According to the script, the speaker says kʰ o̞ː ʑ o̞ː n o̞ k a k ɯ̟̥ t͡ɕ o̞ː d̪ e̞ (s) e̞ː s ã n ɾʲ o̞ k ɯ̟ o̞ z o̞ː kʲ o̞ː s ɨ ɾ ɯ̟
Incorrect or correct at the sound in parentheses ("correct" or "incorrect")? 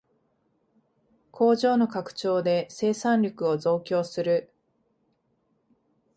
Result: correct